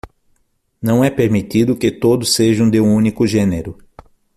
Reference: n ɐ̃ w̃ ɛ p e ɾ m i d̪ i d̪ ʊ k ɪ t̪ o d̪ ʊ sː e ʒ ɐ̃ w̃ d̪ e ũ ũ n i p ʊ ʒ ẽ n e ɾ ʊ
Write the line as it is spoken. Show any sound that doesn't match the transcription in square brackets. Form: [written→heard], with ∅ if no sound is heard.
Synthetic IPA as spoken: n ɐ̃ w̃ ɛ p e ɾ m i [d̪→t̪] i d̪ ʊ k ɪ t̪ o d̪ ʊ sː e ʒ ɐ̃ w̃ d̪ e ũ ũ n i [p→k] ʊ ʒ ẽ n e ɾ ʊ